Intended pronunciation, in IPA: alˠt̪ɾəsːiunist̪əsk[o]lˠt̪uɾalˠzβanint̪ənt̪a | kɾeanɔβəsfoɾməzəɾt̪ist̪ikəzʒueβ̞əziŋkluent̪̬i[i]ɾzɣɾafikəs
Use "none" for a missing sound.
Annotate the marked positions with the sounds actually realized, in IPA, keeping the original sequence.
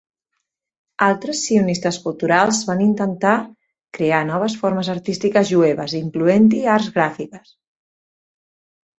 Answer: u, a

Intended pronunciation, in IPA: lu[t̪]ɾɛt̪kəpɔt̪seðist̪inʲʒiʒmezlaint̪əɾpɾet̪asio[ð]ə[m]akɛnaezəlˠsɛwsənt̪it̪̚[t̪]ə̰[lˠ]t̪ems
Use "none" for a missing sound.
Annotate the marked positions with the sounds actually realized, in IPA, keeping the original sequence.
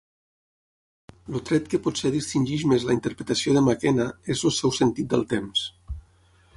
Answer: t̪, ð, m, d̪, lˠ

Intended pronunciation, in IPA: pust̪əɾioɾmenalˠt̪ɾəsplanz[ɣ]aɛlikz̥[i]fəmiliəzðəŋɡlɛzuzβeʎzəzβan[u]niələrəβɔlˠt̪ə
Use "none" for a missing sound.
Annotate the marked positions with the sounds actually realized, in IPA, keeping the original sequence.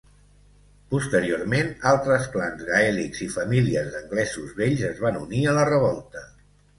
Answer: ɣ, i, u

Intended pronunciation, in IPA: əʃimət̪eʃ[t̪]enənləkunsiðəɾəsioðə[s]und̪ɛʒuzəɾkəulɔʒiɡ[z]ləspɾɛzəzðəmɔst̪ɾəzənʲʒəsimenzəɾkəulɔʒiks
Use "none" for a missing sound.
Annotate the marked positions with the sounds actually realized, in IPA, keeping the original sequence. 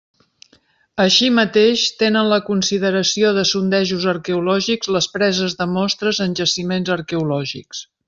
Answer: t̪, s, z

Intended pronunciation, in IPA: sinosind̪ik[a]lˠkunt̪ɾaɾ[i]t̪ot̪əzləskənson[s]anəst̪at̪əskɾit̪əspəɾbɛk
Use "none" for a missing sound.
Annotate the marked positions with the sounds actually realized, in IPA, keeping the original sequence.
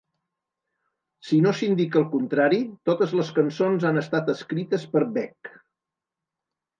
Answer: ə, i, z

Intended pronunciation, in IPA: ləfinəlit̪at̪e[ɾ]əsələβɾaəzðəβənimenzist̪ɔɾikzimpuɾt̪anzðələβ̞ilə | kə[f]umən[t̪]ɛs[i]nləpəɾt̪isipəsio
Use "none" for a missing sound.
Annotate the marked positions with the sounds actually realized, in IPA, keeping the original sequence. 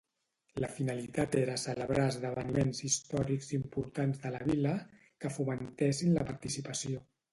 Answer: ɾ, f, t̪, i

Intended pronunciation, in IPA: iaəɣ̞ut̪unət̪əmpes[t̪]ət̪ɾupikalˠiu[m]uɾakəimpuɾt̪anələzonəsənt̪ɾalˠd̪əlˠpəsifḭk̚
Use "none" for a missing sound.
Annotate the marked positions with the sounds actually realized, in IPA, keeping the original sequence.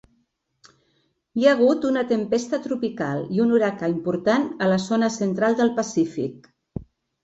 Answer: t̪, n

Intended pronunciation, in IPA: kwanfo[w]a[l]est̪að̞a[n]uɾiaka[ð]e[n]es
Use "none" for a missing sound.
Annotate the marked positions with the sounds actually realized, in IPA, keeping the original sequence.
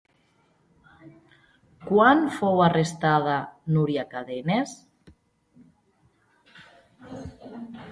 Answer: w, r, n, ð, n

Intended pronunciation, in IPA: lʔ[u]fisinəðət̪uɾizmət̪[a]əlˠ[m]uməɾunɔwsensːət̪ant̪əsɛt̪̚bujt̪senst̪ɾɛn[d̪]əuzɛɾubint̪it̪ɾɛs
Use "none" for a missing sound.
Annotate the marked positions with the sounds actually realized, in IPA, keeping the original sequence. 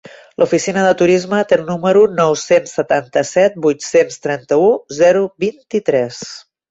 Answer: u, e, n, t̪

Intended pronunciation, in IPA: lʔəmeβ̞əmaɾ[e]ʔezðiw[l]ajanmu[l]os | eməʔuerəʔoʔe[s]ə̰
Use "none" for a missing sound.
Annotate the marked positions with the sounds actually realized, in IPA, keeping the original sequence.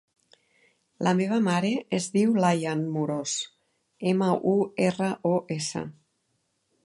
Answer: e, l, ɾ, s

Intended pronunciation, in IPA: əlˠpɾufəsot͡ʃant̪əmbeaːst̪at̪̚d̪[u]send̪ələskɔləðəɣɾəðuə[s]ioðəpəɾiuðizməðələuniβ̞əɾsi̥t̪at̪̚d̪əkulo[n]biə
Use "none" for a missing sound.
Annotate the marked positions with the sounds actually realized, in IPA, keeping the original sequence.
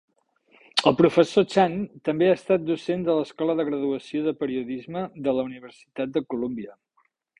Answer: u, s, m

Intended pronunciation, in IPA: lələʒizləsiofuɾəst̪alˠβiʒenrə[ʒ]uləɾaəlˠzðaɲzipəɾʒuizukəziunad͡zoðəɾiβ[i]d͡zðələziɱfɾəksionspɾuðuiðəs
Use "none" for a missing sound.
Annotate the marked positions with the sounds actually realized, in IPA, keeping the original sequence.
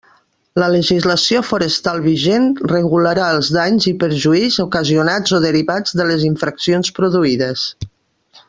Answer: ɣ, a

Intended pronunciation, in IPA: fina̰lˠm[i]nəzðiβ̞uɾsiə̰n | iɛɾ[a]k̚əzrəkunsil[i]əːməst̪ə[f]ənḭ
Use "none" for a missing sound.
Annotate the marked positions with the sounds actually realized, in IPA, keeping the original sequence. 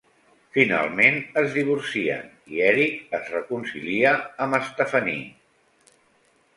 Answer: e, i, i, f

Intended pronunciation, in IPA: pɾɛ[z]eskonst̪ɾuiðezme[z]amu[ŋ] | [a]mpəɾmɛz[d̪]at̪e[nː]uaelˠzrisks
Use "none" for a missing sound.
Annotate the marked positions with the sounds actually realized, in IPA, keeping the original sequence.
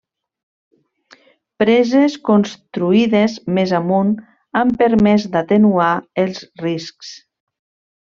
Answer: z, z, n, a, d̪, n

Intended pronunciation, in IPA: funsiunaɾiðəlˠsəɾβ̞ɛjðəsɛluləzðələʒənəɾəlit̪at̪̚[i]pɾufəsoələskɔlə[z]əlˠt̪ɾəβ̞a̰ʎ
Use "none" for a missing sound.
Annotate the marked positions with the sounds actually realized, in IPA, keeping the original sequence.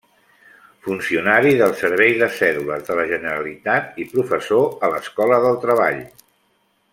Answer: i, ð

